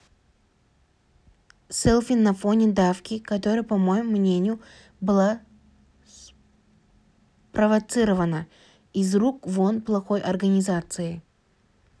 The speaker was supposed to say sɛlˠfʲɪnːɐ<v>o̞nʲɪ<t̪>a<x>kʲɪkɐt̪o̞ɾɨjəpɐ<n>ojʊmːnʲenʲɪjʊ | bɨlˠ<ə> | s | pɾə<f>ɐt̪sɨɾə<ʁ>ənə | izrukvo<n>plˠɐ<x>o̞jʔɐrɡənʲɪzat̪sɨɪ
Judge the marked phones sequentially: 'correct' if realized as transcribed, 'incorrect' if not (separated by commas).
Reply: incorrect, incorrect, incorrect, incorrect, incorrect, incorrect, incorrect, correct, correct